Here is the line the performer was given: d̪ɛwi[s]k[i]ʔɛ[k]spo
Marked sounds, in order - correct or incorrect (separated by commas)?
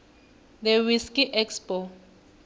correct, correct, correct